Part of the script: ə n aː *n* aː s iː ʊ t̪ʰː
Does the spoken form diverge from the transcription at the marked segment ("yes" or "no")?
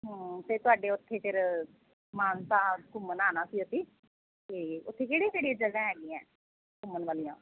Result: no